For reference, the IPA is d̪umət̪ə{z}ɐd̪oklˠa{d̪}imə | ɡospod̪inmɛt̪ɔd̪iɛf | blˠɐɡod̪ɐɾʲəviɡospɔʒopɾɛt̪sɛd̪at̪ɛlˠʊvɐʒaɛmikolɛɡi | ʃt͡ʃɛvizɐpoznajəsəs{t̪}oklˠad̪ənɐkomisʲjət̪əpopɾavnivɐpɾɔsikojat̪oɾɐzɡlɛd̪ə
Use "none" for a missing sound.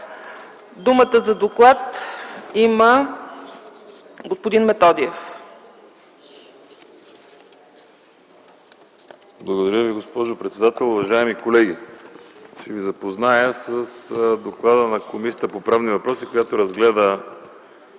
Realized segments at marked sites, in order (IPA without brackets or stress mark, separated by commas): z, t̪, d̪